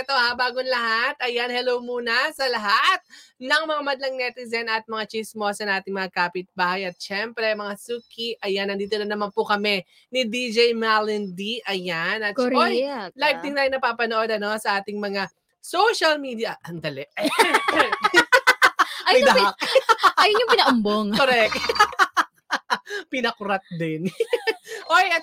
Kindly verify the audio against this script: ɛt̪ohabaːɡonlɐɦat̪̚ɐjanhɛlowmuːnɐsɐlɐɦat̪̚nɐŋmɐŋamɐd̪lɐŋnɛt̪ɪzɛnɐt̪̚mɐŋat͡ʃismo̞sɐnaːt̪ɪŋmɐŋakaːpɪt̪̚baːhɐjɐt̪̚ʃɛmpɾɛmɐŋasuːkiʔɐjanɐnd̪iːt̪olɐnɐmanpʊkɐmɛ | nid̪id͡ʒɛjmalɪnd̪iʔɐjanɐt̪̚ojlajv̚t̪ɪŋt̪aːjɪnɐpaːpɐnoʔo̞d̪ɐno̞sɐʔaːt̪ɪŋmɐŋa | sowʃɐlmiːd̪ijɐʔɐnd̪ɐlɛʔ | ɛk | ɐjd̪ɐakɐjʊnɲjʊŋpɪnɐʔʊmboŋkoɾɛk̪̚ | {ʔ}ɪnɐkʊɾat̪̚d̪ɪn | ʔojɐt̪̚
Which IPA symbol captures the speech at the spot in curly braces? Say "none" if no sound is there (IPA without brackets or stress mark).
p